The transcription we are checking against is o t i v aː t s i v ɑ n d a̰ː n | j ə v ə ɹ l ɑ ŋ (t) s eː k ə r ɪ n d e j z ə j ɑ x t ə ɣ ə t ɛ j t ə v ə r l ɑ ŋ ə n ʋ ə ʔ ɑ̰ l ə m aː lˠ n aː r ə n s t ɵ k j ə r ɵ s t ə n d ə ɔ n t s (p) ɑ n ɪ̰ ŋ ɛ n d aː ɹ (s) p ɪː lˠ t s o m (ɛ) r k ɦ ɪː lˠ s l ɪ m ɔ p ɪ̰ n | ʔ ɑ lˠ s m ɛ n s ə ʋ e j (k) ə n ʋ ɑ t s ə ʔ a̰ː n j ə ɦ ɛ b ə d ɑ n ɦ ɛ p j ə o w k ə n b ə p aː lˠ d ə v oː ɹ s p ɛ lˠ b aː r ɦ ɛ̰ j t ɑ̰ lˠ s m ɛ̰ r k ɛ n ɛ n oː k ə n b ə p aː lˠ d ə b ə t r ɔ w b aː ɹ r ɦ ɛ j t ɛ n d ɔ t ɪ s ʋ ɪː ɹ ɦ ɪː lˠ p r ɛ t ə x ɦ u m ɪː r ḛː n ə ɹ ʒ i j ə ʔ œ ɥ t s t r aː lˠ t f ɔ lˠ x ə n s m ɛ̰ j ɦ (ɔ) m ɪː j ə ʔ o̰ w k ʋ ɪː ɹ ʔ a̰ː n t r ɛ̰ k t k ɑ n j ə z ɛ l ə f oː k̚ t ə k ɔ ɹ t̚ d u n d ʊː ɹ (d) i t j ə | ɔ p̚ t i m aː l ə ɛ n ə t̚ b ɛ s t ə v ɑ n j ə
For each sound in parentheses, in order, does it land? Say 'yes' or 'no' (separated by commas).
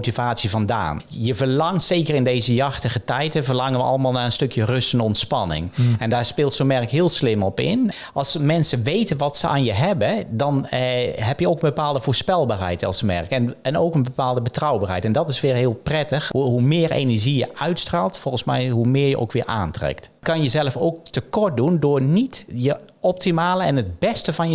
yes, yes, yes, yes, no, no, no